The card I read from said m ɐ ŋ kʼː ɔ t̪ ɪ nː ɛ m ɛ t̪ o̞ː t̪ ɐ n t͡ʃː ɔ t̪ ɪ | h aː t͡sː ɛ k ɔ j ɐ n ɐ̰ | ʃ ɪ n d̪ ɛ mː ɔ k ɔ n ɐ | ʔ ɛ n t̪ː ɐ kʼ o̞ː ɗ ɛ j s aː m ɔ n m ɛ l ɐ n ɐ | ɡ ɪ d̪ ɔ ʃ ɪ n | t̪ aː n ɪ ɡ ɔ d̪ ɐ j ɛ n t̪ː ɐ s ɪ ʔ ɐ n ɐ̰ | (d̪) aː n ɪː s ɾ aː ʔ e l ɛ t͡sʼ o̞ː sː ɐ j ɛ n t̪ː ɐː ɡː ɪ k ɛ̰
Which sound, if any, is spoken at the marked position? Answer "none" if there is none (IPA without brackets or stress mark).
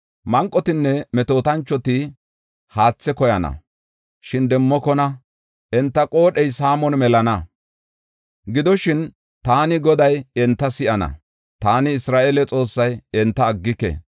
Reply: t̪